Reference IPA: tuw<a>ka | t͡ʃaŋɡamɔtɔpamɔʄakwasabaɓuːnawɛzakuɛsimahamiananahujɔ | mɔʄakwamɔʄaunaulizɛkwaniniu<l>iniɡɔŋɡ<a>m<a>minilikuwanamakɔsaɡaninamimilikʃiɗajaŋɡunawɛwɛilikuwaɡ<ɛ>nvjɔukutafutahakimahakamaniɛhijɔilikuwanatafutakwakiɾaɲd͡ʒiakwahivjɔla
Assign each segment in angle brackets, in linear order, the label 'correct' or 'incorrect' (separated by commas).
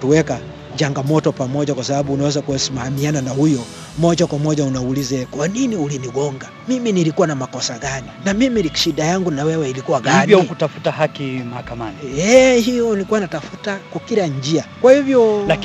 incorrect, correct, correct, incorrect, incorrect